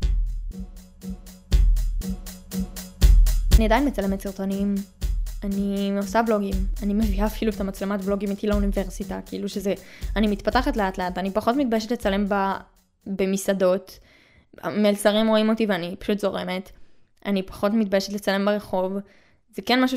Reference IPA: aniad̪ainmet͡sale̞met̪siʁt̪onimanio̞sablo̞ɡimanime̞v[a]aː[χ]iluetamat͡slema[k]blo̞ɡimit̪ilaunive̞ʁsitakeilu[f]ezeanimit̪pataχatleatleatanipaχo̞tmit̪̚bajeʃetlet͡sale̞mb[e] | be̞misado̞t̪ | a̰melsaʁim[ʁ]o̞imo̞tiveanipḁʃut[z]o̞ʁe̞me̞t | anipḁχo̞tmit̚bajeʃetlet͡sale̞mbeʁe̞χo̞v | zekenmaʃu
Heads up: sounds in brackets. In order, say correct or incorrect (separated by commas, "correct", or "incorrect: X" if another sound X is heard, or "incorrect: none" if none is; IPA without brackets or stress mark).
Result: incorrect: i, incorrect: f, incorrect: t, incorrect: ʃ, incorrect: a, correct, correct